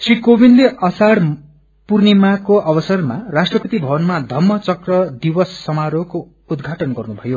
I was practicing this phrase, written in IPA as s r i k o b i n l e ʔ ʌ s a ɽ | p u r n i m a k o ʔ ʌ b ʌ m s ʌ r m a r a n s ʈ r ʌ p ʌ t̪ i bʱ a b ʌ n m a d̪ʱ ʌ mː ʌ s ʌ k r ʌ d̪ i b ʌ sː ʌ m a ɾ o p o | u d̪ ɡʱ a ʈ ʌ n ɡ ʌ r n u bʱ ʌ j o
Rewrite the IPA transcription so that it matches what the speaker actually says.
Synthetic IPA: s r i k o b i n l e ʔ ʌ s a ɽ | p u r n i m a k o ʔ ʌ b ʌ s ʌ r m a r a s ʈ r ʌ p ʌ t̪ i bʱ ʌ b ʌ n m a d̪ʱ ʌ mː ʌ t͡s ʌ k r ʌ d̪ i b ʌ sː ʌ m a ɾ o k o | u d̪ ɡʱ a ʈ ʌ n ɡ ʌ r n u bʱ ʌ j o